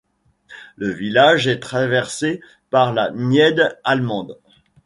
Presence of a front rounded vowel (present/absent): absent